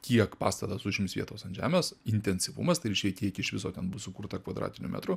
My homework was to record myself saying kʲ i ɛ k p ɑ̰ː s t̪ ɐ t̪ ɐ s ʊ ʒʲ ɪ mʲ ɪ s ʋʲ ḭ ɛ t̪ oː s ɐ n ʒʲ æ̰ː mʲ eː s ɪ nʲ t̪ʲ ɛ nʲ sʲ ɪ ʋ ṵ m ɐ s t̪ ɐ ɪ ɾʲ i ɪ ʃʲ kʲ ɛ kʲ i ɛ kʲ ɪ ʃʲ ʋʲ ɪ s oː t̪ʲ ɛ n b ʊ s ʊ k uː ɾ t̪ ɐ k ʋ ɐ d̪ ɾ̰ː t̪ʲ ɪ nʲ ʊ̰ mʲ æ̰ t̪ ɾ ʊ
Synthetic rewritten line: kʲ i ɛ k p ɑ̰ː s t̪ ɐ t̪ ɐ s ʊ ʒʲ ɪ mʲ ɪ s ʋʲ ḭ ɛ t̪ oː s ɐ n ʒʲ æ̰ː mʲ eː s ɪ nʲ t̪ʲ ɛ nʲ sʲ ɪ ʋ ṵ m ɐ s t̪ ɐ ɪ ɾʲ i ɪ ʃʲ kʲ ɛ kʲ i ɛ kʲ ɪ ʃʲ ʋʲ ɪ s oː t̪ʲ ɛ n b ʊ s ʊ k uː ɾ t̪ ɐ k ʋ ɐ d̪ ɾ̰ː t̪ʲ ɪ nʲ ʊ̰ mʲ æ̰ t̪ ɾ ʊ